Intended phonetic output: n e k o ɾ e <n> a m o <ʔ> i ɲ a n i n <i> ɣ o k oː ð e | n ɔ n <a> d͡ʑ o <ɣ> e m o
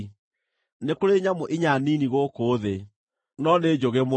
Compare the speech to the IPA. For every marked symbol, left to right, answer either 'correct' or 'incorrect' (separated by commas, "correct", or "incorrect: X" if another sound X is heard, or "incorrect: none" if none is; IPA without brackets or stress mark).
incorrect: ɲ, correct, correct, incorrect: e, correct